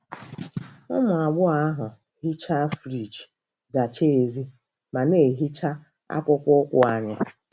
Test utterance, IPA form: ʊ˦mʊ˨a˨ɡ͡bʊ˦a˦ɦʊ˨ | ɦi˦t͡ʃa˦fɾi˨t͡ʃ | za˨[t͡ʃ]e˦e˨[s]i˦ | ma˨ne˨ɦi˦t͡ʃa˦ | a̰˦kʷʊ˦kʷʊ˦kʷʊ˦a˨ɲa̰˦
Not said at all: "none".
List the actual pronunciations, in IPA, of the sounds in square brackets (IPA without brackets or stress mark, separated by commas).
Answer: t͡ʃ, z